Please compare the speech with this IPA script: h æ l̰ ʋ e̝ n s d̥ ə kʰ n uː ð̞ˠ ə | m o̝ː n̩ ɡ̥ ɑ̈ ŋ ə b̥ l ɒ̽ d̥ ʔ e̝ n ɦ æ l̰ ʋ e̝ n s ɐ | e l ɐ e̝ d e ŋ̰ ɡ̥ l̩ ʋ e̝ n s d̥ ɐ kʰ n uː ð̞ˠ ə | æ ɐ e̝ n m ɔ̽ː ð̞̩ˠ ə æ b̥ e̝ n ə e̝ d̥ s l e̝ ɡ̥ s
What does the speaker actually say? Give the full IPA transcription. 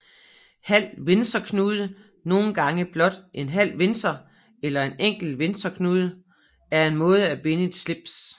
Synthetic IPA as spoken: h æ l̰ ʋ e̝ n s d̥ ɐ kʰ n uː ð̞ˠ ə | n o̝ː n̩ ɡ̥ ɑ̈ ŋ ə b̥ l ɒ̽ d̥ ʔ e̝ n ɦ æ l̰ ʋ e̝ n s ɐ | e l ɐ e̝ n e ŋ̰ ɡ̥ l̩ ʋ e̝ n s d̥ ɐ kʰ n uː ð̞ˠ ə | æ ɐ e̝ n m ɔ̽ː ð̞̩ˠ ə æ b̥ e̝ n ə e̝ d̥ s l e̝ b̥ s